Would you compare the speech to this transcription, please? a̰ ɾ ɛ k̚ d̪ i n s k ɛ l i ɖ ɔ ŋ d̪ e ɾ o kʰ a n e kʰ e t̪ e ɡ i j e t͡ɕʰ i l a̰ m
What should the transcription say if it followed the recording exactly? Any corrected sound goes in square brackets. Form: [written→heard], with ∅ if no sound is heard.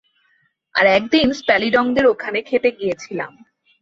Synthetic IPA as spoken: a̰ ɾ ɛ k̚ d̪ i n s [k→p] ɛ l i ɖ ɔ ŋ d̪ e ɾ o kʰ a n e kʰ e t̪ e ɡ i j e t͡ɕʰ i l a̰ m

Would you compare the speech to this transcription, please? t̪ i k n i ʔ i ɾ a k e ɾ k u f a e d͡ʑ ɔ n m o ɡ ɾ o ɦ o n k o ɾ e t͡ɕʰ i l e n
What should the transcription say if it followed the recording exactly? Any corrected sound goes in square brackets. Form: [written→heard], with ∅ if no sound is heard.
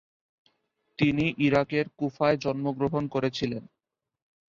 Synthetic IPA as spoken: t̪ i [k→∅] n i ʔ i ɾ a k e ɾ k u f a e d͡ʑ ɔ n m o ɡ ɾ o ɦ o n k o ɾ e t͡ɕʰ i l e n

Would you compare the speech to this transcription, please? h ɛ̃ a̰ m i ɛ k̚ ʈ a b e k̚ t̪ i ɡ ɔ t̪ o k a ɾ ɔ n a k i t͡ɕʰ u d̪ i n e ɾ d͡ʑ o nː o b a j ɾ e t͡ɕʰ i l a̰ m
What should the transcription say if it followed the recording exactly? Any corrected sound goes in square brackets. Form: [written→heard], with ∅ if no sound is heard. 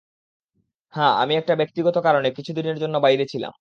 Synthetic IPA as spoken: h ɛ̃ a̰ m i ɛ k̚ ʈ a b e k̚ t̪ i ɡ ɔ t̪ o k a ɾ [ɔ→o] n [a→e] k i t͡ɕʰ u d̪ i n e ɾ d͡ʑ o nː o b a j ɾ e t͡ɕʰ i l a̰ m

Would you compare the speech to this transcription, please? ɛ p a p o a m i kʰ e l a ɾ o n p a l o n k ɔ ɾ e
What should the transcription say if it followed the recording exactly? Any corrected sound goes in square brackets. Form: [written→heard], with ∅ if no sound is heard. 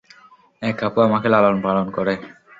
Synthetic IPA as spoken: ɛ [p→k] a p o a m [i→a] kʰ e l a [ɾ→l] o n p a l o n k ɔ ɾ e

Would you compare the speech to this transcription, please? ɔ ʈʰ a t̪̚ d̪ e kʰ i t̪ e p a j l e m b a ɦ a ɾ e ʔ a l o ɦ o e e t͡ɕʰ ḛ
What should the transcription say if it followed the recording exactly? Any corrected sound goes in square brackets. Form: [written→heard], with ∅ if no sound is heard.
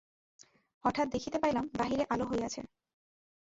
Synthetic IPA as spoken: ɔ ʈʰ a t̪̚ d̪ e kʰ i t̪ e p a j l [e→a] m b a ɦ [a→i] ɾ e ʔ a l o ɦ o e [e→a] t͡ɕʰ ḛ

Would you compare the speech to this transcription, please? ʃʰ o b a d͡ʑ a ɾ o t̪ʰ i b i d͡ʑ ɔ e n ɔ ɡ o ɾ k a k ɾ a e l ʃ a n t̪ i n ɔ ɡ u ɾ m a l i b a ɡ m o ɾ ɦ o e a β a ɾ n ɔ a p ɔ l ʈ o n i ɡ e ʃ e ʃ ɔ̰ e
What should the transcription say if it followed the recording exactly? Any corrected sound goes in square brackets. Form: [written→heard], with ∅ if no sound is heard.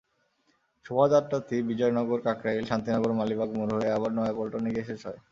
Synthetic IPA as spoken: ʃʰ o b a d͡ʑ a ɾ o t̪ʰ i b i d͡ʑ ɔ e n ɔ ɡ o ɾ k a k ɾ a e l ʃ a n t̪ i n ɔ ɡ [u→o] ɾ m a l i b a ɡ m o ɾ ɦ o e a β a ɾ n ɔ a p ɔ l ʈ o n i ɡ e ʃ e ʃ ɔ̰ e

